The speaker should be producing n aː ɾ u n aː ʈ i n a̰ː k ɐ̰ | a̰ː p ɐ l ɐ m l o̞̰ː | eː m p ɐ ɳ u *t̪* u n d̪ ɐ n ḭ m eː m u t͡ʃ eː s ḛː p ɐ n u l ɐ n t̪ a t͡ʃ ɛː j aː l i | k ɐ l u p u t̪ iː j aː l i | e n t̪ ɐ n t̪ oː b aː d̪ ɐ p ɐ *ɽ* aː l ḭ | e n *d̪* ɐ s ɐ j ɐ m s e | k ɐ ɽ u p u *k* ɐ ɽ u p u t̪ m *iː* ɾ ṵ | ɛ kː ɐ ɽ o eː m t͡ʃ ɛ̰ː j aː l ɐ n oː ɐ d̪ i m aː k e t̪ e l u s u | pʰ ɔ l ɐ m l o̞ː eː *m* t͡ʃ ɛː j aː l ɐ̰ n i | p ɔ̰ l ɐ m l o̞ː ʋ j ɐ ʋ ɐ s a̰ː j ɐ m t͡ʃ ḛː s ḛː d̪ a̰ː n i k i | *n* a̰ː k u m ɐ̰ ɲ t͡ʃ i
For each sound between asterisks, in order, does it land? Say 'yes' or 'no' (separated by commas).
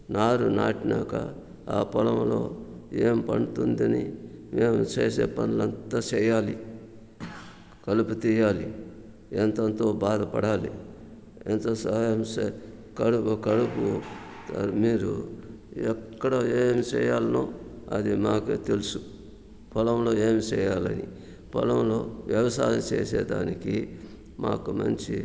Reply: yes, yes, no, yes, yes, yes, no